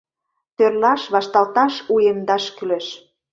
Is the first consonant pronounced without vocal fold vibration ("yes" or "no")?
yes